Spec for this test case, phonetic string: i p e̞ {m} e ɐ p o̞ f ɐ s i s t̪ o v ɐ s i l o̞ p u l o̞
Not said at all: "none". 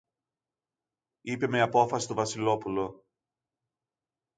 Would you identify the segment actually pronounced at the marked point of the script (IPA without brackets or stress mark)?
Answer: m